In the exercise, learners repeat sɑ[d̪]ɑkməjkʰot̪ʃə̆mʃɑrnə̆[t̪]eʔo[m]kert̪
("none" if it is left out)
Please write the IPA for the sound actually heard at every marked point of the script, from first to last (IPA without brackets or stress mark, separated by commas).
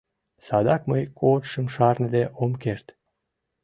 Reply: d̪, d̪, m